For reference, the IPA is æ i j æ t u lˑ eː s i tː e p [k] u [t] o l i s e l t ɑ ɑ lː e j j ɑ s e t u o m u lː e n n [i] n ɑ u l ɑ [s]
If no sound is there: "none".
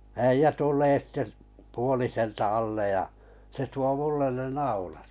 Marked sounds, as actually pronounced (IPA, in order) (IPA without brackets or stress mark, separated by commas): p, none, e, t